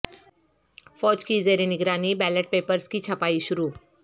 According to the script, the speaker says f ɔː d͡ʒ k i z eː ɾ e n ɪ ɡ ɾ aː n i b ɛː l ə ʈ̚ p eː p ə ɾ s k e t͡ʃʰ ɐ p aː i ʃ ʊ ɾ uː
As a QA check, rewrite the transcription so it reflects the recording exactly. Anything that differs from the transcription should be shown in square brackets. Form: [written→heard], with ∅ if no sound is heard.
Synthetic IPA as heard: f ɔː d͡ʒ k i z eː ɾ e n ɪ ɡ ɾ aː n i b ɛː l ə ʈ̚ p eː p ə ɾ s k [e→i] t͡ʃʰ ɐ p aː i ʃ ʊ ɾ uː